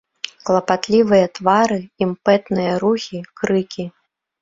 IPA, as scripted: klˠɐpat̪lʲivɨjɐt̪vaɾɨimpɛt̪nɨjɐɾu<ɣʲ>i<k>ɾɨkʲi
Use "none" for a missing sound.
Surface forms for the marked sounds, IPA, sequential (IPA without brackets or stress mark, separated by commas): xʲ, k